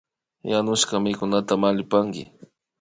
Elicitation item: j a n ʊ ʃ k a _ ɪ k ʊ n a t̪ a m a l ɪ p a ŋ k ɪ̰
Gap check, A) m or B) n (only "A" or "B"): A